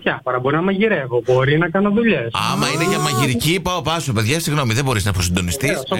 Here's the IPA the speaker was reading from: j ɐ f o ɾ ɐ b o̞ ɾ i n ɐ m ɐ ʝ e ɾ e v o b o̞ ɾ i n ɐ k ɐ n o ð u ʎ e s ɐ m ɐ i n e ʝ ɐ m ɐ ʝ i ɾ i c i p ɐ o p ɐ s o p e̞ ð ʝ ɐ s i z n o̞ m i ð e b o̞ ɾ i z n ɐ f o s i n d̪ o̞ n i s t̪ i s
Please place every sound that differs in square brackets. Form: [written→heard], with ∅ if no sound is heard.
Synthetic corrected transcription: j ɐ f o ɾ ɐ b o̞ ɾ i n ɐ m ɐ ʝ [e→i] ɾ e v o b o̞ ɾ i n ɐ k ɐ n o ð u ʎ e s ɐ m ɐ i n e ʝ ɐ m ɐ ʝ i ɾ i c i p ɐ o p ɐ s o p e̞ ð ʝ ɐ s i [z→ɣ] n o̞ m i ð e b o̞ ɾ i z n ɐ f o s i n d̪ o̞ n i s t̪ i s